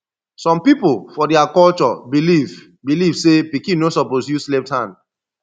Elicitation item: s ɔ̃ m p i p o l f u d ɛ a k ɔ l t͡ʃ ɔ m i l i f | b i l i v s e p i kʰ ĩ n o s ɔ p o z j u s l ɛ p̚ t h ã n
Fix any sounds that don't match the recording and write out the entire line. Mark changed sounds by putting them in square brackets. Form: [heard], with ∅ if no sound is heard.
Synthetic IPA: s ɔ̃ m p i p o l f [ɔ] d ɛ a k ɔ l t͡ʃ ɔ [b] i l i [v] | b i l i v s e p i [k] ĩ n o s ɔ p o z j u s l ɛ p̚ t h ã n